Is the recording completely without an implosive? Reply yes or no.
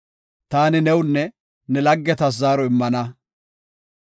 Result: yes